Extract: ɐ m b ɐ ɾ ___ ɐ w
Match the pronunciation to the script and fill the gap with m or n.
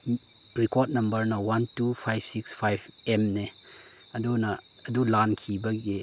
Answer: n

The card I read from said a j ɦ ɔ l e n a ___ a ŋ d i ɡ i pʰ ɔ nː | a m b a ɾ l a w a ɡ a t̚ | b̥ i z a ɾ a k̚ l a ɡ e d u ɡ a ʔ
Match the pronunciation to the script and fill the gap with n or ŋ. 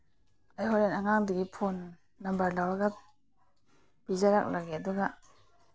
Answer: ŋ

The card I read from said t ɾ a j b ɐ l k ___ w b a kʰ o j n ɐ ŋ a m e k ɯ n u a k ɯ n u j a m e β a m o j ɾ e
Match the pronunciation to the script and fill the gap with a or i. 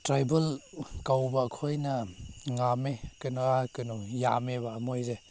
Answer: a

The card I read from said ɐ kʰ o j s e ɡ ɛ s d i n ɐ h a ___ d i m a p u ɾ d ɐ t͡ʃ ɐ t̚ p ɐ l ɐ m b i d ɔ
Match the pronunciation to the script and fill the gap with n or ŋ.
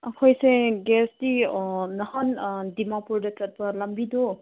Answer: n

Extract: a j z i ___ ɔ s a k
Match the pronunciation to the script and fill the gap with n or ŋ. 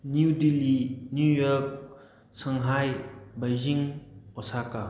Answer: ŋ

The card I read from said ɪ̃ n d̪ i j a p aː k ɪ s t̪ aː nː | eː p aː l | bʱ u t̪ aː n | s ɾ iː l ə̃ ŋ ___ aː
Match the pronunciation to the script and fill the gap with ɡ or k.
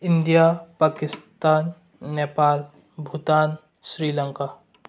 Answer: k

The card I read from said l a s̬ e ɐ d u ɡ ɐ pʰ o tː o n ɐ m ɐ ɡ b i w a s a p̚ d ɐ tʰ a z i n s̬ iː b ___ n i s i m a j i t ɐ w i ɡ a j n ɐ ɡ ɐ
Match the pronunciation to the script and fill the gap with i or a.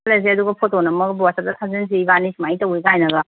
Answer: a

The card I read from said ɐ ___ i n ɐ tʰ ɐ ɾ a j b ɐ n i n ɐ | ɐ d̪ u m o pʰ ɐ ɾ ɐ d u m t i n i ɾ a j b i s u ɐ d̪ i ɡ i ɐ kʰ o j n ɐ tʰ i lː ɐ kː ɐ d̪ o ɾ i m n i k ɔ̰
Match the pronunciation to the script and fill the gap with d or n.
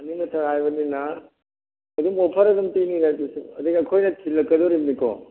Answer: n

